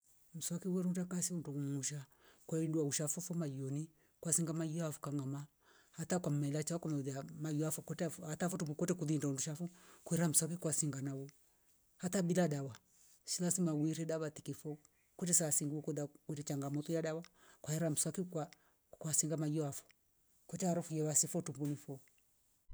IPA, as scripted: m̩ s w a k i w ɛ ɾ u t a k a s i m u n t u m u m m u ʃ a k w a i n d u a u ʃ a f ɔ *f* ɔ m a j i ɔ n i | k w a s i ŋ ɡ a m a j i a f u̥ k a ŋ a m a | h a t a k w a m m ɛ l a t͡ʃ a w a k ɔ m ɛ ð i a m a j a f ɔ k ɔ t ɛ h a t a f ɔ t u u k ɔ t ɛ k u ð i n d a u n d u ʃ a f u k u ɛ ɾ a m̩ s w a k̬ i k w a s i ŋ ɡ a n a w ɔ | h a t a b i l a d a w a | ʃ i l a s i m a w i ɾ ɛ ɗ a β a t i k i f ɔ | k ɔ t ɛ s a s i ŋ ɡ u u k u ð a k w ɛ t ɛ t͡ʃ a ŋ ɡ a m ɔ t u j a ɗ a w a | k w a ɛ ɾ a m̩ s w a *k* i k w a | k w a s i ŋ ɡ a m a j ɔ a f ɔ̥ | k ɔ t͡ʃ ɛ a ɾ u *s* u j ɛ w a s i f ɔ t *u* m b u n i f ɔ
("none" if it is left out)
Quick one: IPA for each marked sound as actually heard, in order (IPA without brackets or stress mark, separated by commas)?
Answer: f, k, f, u